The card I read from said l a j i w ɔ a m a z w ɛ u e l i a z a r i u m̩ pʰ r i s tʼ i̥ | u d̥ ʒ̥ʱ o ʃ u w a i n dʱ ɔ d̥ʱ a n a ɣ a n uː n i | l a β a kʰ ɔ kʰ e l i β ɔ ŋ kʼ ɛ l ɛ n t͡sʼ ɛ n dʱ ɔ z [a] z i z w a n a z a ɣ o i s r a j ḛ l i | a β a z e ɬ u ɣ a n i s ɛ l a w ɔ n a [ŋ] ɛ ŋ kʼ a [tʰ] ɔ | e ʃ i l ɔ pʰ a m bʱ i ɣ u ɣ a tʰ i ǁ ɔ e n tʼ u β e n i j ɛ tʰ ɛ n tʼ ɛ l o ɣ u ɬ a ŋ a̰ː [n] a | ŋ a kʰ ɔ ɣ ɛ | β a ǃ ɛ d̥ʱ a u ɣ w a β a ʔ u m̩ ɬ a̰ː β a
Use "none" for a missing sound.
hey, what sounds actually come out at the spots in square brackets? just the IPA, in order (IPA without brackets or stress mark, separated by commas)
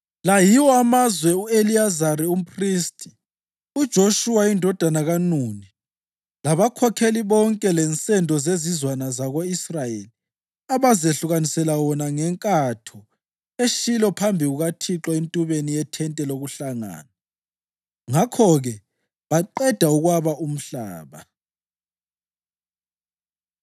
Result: e, ŋ, tʰ, n